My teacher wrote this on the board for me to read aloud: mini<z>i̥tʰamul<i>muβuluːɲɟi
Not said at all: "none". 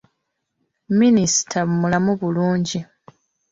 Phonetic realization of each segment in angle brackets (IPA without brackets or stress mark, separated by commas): s, a